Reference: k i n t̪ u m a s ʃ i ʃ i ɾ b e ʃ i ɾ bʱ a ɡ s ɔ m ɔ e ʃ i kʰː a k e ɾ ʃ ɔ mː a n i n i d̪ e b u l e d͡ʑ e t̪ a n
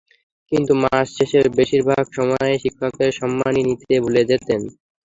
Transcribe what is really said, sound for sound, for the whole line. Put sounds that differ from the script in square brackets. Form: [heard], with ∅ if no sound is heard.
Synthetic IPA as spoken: k i n t̪ u m a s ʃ [e] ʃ [e] ɾ b e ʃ i ɾ bʱ a ɡ [ʃ] ɔ m ɔ e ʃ i kʰː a k e ɾ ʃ ɔ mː a n i n i [t̪] e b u l e d͡ʑ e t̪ [e] n